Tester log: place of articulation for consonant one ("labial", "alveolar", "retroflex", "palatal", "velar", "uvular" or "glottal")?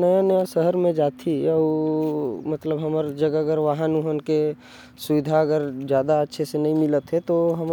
alveolar